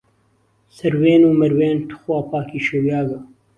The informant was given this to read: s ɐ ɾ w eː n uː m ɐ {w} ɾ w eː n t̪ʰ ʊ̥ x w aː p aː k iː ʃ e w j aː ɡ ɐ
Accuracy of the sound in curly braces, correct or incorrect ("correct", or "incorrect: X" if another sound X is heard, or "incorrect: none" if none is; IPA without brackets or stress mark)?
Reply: incorrect: none